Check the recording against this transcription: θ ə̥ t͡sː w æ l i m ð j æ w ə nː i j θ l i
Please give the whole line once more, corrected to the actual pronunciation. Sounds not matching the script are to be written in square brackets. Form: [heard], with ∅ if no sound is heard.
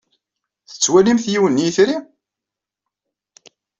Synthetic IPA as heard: θ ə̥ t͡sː w æ l i m [θ] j [i] w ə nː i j θ [ɾ] i